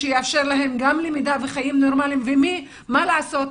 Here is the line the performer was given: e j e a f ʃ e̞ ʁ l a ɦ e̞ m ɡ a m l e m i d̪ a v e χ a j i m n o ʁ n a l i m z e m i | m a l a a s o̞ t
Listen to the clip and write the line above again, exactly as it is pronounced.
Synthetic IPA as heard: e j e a f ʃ e̞ ʁ l a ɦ e̞ m ɡ a m l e m i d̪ a v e χ a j i m n o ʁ m a l i m v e m i | m a l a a s o̞ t